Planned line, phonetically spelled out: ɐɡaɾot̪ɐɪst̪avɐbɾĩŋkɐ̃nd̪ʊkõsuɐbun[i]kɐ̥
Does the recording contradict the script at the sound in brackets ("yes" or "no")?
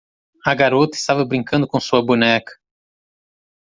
yes